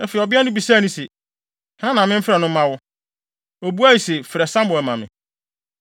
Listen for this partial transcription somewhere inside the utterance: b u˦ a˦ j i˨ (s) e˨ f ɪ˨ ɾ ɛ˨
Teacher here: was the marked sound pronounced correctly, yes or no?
yes